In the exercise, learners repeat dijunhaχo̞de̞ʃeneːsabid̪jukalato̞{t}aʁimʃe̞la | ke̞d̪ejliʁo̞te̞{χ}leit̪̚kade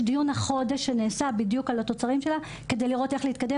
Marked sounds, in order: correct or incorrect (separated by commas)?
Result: incorrect, correct